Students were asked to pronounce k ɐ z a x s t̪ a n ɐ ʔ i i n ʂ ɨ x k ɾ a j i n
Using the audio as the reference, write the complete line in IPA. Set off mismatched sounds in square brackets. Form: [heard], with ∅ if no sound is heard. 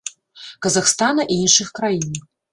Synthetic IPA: k ɐ z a x s t̪ a n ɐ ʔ i i n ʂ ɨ x k ɾ a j i n